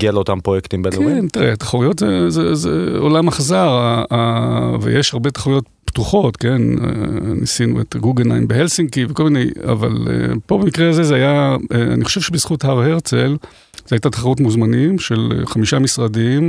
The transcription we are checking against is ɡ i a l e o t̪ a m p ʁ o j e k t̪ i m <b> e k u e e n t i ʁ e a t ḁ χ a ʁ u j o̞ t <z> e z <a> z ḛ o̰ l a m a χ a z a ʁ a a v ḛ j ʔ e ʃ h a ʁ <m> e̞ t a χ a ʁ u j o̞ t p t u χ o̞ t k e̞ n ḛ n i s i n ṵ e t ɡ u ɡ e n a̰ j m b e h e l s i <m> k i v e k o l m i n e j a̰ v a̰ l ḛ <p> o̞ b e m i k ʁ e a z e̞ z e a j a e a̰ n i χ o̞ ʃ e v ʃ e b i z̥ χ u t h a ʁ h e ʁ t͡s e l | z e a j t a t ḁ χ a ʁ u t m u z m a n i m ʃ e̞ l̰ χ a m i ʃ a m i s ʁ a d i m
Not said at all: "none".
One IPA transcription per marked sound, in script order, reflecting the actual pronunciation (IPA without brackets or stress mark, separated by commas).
b, z, e, b, ŋ, p